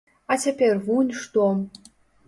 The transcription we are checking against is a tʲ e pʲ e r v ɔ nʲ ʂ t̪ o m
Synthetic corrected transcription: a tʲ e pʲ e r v u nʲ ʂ t̪ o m

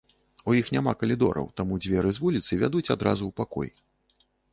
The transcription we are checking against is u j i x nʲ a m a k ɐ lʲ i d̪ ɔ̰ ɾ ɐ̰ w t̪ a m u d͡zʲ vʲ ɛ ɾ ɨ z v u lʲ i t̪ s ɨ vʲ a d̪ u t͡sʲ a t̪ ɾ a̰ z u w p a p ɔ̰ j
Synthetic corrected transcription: u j i x nʲ a m a k ɐ lʲ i d̪ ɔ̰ ɾ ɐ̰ w t̪ a m u d͡zʲ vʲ ɛ ɾ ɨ z v u lʲ i t̪ s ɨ vʲ a d̪ u t͡sʲ a d̪ ɾ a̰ z u w p a k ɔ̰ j

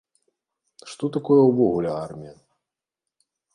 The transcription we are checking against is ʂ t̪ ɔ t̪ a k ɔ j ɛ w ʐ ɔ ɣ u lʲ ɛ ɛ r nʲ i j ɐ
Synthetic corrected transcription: ʂ t̪ ɔ t̪ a k ɔ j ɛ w v ɔ ɣ u lʲ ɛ a r mʲ i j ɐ

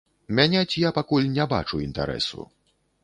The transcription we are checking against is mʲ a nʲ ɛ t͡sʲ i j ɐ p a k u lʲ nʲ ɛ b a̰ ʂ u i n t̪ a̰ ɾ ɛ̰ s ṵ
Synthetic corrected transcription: mʲ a nʲ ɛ t͡sʲ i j a p a k u lʲ nʲ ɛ b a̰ t͡ʂ u i n t̪ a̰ ɾ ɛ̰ s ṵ

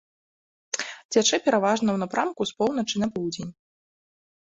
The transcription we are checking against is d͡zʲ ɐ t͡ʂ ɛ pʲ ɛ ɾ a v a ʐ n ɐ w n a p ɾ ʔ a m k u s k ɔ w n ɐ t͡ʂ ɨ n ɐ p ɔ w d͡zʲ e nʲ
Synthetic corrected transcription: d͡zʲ a t͡ʂ ɛ pʲ ɛ ɾ a v a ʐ n ɐ w n a p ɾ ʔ a m k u s p ɔ w n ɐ t͡ʂ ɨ n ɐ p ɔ w d͡zʲ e nʲ

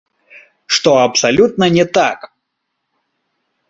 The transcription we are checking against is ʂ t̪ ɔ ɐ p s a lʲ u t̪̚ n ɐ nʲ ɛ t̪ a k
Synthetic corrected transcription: ʂ t̪ ɔ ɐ p s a lʲ u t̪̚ n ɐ nʲ ɛ t̪ a k

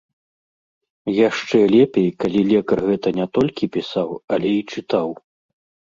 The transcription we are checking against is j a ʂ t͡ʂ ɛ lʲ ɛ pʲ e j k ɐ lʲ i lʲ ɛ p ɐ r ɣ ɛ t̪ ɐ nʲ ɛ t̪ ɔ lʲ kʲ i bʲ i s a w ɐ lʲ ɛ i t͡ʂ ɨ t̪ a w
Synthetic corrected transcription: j a ʂ t͡ʂ ɛ lʲ ɛ pʲ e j k a lʲ i lʲ ɛ k ɐ r ɣ ɛ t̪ ɐ nʲ ɛ t̪ ɔ lʲ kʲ i pʲ i s a w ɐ lʲ ɛ i t͡ʂ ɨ t̪ a w

